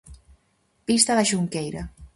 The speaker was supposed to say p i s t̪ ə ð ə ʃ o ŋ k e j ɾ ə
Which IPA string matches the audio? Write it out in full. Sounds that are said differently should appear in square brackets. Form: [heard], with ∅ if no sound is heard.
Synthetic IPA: p i s t̪ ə ð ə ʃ [u] ŋ k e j ɾ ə

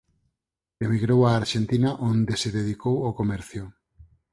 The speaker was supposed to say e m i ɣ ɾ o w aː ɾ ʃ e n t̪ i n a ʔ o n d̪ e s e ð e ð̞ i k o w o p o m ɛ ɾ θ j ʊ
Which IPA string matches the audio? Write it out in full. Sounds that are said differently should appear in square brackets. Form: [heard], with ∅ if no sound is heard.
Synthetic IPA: e m i ɣ ɾ o w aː ɾ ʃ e n t̪ i n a ʔ o n d̪ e s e ð e ð̞ i k o w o [k] o m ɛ ɾ θ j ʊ

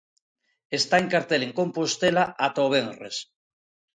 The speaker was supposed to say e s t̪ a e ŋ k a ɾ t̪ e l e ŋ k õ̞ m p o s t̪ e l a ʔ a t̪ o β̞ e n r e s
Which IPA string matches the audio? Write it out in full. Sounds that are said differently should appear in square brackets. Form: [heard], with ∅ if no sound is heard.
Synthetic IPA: e s t̪ a e ŋ k a ɾ t̪ e l e ŋ k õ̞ m p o s t̪ e l a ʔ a t̪ o β̞ e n r e s

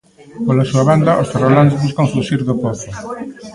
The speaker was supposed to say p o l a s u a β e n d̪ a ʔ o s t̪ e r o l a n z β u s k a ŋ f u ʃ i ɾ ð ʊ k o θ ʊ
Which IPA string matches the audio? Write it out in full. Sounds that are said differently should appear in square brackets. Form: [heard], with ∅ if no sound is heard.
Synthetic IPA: p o l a s u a β [a] n d̪ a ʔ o s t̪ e r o l a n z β u s k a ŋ f u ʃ i ɾ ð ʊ [p] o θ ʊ

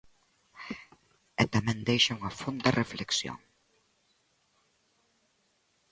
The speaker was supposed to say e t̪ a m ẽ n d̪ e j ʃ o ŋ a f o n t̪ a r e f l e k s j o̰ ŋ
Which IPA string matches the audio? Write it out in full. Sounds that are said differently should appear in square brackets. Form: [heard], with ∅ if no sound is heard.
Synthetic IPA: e t̪ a m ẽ n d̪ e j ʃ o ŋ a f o n [d̪] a r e f l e k s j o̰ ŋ

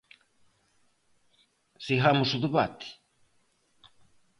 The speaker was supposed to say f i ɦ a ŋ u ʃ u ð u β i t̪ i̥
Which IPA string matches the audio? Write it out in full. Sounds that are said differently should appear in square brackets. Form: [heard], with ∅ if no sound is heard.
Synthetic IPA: [s] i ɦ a [m] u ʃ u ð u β [a] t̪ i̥

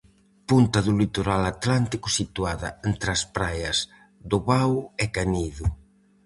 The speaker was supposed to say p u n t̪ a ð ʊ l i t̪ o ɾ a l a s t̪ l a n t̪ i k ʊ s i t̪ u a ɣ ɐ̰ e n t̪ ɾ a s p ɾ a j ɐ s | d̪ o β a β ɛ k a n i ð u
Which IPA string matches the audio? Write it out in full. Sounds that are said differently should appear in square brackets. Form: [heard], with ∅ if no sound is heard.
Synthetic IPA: p u n t̪ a ð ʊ l i t̪ o ɾ a l a [∅] t̪ l a n t̪ i k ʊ s i t̪ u a [ð] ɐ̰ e n t̪ ɾ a s p ɾ a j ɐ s | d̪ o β a [w] ɛ k a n i ð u

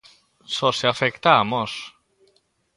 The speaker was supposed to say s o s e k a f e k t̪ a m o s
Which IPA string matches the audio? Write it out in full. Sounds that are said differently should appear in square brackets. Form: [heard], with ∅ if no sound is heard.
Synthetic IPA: s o s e [∅] a f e k t̪ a m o s

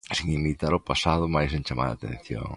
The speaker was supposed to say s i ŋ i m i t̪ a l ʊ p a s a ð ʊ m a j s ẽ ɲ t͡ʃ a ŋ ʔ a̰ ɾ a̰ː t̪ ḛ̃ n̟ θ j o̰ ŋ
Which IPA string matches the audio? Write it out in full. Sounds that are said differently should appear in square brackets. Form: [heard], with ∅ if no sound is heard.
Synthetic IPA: s i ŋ i m i t̪ a [ɾ] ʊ p a s a ð ʊ m a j s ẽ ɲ t͡ʃ a [m] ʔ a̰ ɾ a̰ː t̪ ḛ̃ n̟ θ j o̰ ŋ

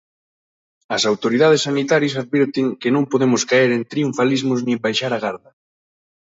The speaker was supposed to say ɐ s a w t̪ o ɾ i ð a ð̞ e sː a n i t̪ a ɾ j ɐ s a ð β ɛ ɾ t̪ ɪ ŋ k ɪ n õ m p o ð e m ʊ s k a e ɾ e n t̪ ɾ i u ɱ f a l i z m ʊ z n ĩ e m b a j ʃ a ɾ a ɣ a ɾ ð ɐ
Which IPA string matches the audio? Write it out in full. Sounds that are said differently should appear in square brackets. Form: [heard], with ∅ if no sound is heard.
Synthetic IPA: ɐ s a w t̪ o ɾ i ð a ð̞ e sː a n i t̪ a ɾ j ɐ s a ð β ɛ ɾ t̪ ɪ ŋ k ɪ n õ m p o ð e m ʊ s k a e ɾ e n t̪ ɾ i u ɱ f a l i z m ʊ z n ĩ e m b a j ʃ a ɾ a ɣ a ɾ ð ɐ

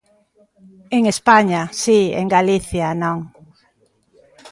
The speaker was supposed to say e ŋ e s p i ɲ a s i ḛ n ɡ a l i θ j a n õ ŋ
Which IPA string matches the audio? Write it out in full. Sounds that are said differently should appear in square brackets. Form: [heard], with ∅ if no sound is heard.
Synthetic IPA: e ŋ e s p [a] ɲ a s i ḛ [ŋ] ɡ a l i θ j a n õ ŋ

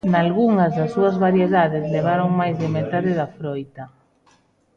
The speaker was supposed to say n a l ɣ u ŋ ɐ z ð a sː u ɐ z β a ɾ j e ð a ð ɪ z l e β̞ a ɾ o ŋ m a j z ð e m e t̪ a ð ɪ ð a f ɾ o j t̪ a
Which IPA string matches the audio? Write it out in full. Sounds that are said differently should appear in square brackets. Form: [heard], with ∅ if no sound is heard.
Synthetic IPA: n a l ɣ u ŋ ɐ z ð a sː u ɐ z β a ɾ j e ð a ð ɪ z l e β̞ a ɾ o ŋ m a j z ð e m e t̪ a ð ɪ ð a f ɾ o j t̪ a

